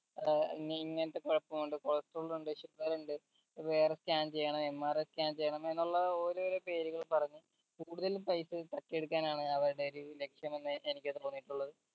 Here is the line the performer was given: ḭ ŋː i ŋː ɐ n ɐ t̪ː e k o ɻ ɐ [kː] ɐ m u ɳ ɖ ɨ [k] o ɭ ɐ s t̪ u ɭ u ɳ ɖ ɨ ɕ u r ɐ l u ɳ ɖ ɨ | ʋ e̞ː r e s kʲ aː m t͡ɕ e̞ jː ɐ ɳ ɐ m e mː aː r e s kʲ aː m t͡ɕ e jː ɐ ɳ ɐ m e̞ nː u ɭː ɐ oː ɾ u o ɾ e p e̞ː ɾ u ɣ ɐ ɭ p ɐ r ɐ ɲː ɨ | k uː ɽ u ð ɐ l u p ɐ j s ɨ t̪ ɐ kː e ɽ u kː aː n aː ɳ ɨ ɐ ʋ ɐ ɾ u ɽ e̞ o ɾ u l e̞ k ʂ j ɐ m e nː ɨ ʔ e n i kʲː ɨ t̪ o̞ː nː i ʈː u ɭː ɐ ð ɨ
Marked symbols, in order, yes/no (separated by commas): no, yes